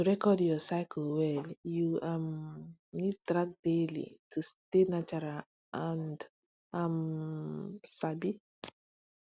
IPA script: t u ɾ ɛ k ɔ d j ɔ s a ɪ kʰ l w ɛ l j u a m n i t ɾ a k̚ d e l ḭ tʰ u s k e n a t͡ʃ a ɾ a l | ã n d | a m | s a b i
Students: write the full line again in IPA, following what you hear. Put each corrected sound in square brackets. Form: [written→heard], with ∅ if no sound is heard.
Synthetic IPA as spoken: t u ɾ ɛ k ɔ d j ɔ s a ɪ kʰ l w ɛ l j u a m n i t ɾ a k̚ d e l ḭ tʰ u s [k→t] e n a t͡ʃ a ɾ a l | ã n d | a m | s a b i